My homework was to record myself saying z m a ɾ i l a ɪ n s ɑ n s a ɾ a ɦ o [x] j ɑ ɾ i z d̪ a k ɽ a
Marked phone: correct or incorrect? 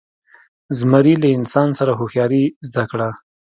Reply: correct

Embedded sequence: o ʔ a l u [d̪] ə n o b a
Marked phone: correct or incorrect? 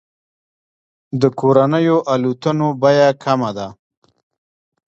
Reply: incorrect: t̪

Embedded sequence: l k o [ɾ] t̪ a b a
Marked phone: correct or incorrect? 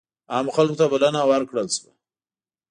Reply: incorrect: none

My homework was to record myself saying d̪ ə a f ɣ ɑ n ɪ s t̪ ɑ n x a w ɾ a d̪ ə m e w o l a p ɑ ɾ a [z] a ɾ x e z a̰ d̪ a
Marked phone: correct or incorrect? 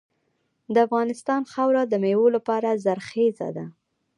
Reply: correct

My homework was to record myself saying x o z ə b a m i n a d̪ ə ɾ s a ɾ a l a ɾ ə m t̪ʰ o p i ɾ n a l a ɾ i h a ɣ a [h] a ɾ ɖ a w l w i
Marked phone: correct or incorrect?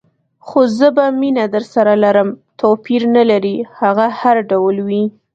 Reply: correct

